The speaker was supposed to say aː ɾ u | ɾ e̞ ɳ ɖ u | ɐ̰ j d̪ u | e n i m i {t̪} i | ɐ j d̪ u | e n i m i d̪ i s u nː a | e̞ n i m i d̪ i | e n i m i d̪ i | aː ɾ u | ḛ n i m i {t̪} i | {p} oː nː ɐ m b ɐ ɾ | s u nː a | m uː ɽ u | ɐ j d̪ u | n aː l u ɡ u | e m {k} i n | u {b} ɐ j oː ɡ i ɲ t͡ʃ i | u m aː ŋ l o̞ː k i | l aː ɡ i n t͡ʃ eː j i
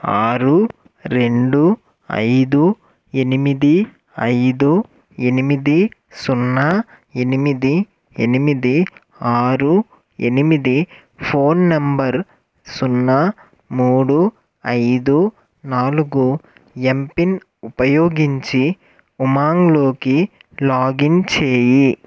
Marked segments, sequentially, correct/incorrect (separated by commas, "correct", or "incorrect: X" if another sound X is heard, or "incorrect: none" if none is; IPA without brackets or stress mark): incorrect: d̪, incorrect: d̪, incorrect: pʰ, incorrect: p, incorrect: p